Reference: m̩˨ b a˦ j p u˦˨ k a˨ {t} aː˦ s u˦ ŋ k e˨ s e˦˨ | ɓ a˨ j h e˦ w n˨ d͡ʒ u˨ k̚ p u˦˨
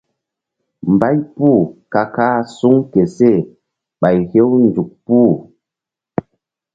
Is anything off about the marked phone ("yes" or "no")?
yes